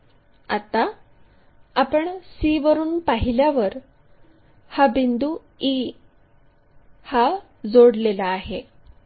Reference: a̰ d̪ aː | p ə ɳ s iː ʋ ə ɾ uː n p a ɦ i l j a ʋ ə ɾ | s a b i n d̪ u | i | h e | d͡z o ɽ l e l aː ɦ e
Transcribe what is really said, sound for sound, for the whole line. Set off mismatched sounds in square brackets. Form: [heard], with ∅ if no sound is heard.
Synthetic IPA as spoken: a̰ [t̪] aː | p ə ɳ s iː ʋ ə ɾ uː n p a ɦ i l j a ʋ ə ɾ | [h] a b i n d̪ u | i | h [a] | d͡z o ɽ l e l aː ɦ e